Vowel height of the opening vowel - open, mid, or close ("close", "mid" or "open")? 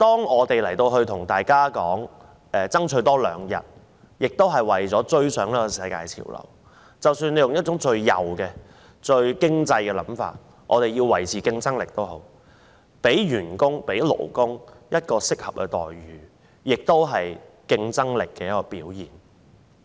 mid